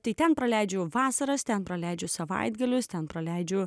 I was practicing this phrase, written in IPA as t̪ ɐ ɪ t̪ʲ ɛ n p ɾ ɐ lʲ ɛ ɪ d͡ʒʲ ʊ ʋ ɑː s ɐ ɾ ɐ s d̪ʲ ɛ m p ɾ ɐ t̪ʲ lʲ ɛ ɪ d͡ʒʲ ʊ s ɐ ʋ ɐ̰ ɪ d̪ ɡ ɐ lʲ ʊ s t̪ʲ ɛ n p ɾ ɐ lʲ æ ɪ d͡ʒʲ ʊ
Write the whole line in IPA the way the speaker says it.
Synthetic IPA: t̪ ɐ ɪ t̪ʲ ɛ n p ɾ ɐ lʲ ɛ ɪ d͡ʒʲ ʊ ʋ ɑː s ɐ ɾ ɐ s t̪ʲ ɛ n p ɾ ɐ lʲ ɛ ɪ d͡ʒʲ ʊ s ɐ ʋ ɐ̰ ɪ d̪ ɡ ɐ lʲ ʊ s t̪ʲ ɛ n p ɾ ɐ lʲ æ ɪ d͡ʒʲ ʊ